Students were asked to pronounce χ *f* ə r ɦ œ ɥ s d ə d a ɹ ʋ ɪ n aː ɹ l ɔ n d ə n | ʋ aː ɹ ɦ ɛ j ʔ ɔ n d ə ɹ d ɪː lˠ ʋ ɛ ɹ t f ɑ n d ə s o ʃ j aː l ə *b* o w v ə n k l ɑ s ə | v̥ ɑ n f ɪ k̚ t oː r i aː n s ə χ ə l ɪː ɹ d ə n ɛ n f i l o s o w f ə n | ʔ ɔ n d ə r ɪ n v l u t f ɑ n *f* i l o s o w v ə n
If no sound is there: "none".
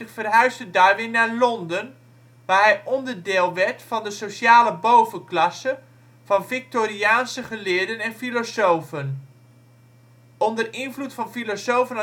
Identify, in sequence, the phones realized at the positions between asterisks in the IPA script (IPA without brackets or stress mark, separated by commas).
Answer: f, b, f